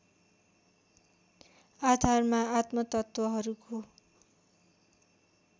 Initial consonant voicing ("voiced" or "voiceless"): voiced